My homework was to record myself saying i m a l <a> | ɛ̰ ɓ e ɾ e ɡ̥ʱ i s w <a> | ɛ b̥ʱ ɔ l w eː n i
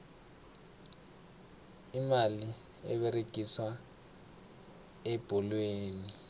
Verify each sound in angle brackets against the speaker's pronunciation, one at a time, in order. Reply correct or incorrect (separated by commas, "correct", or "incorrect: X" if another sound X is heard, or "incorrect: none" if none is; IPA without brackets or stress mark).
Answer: incorrect: i, correct